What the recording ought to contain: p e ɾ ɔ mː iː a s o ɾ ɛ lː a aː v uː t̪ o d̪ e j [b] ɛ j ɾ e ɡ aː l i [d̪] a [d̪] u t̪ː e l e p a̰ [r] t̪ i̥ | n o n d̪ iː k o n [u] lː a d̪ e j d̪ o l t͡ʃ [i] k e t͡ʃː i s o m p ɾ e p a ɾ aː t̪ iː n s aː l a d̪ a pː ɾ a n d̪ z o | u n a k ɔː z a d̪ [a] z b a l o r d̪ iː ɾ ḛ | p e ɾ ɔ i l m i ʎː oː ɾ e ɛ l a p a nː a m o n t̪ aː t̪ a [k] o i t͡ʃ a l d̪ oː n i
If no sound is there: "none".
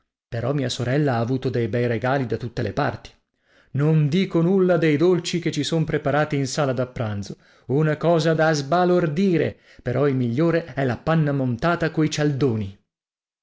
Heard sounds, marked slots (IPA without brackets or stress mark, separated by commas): b, d̪, t̪, r, u, i, a, k